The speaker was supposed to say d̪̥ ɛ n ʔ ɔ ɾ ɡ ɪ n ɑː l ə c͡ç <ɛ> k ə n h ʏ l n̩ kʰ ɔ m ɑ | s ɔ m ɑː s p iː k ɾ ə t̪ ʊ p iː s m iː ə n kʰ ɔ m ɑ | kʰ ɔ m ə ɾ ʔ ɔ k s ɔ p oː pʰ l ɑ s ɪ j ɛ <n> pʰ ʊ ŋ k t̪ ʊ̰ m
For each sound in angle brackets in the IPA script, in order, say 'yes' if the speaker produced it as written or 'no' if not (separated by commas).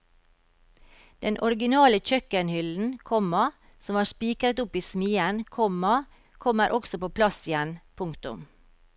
no, yes